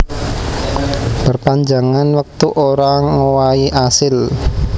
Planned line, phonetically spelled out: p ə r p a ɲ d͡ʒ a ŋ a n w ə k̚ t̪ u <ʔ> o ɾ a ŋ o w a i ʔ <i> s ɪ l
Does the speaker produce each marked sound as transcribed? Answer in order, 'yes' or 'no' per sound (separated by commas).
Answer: yes, no